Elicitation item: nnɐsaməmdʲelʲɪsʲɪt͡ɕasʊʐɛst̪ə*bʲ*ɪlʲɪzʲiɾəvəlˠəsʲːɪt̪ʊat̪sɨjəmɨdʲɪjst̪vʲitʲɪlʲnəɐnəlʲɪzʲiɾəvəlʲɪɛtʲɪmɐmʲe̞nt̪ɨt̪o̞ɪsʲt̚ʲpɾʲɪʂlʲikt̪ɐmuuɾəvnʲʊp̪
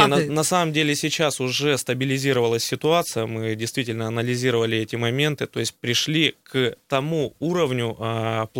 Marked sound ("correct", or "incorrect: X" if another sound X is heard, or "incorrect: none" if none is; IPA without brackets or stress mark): correct